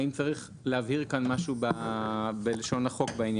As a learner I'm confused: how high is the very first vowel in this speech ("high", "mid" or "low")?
high